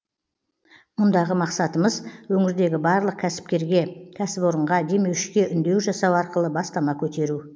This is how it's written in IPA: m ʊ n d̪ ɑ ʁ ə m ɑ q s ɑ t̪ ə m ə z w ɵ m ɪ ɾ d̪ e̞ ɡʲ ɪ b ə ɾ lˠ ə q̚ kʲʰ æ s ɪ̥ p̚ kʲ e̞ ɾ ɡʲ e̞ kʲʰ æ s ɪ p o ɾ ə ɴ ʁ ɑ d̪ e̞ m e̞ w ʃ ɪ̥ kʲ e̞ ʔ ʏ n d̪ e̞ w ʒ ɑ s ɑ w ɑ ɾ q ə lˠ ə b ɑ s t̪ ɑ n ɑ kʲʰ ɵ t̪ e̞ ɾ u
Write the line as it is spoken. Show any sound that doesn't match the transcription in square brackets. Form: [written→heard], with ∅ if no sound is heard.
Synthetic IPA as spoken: m ʊ n d̪ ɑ ʁ ə m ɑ q s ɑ t̪ ə m ə z w ɵ [m→ŋ] ɪ ɾ d̪ e̞ ɡʲ ɪ b [ə→ɑ] ɾ lˠ ə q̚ kʲʰ æ s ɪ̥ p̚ kʲ e̞ ɾ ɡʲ e̞ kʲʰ æ s ɪ p o ɾ ə ɴ ʁ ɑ d̪ e̞ m e̞ w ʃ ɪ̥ kʲ e̞ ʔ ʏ n d̪ e̞ w ʒ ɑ s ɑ w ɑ ɾ q ə lˠ ə b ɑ s t̪ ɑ [n→m] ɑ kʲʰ ɵ t̪ e̞ ɾ u